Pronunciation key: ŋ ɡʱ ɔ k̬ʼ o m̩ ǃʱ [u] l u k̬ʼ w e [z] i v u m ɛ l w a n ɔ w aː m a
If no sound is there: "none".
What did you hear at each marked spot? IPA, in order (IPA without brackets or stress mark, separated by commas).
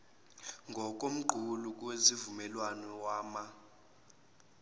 u, z